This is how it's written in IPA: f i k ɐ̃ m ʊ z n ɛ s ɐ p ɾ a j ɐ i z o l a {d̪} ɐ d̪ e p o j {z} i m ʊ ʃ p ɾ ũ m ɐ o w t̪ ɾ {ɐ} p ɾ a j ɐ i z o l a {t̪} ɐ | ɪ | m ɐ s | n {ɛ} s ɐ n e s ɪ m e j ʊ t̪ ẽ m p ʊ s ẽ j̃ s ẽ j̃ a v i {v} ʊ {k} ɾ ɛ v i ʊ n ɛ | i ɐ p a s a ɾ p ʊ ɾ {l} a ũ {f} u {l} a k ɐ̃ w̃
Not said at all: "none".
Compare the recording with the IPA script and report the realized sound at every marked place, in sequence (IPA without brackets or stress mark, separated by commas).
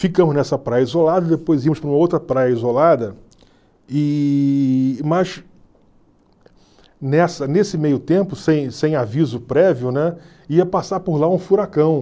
d̪, z, ɐ, d̪, ɛ, z, p, l, f, ɾ